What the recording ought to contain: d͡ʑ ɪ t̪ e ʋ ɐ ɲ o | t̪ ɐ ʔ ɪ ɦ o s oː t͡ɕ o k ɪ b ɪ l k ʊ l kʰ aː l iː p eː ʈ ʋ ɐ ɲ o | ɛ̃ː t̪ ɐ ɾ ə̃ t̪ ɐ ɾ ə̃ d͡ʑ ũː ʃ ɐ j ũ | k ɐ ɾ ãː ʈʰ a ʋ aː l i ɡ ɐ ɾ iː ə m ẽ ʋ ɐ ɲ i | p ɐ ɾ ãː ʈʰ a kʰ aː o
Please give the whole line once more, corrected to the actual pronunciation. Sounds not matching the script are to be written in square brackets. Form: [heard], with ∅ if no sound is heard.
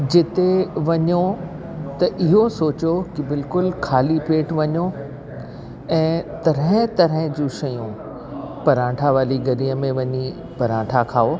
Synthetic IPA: d͡ʑ ɪ t̪ e ʋ ɐ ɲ o | t̪ ɐ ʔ ɪ ɦ o s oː t͡ɕ o k ɪ b ɪ l k ʊ l kʰ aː l [i] p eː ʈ ʋ ɐ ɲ o | ɛ̃ː t̪ ɐ ɾ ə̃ t̪ ɐ ɾ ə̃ d͡ʑ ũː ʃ ɐ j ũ | [p] ɐ ɾ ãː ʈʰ a ʋ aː l i ɡ ɐ ɾ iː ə m ẽ ʋ ɐ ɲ i | p ɐ ɾ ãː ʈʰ a kʰ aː o